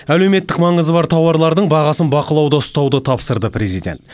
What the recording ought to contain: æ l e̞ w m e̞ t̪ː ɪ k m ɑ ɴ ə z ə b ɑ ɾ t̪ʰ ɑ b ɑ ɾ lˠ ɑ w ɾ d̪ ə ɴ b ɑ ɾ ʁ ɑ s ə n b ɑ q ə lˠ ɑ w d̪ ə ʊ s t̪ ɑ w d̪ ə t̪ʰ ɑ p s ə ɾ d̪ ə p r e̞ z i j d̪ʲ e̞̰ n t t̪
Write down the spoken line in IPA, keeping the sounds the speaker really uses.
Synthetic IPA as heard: æ l e̞ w m e̞ t̪ː ɪ k m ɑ ɴ ə z ə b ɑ ɾ t̪ʰ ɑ w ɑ ɾ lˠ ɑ ɾ d̪ ə ɴ b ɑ ʁ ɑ s ə n b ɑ q ə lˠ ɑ w d̪ ə ʊ s t̪ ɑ w d̪ ə t̪ʰ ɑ p s ə ɾ d̪ ə p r e̞ z i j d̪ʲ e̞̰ n t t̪